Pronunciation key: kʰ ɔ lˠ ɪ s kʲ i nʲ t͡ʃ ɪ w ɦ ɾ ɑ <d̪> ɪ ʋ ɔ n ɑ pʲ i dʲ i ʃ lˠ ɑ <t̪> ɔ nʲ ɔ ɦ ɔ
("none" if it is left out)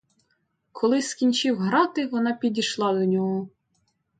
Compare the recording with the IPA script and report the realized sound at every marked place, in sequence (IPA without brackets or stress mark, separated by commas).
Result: t̪, d̪